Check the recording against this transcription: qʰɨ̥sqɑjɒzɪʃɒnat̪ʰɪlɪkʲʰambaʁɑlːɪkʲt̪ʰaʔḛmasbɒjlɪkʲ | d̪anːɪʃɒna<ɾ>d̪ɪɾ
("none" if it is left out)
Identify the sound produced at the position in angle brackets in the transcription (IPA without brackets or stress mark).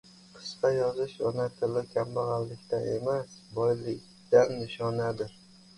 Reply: none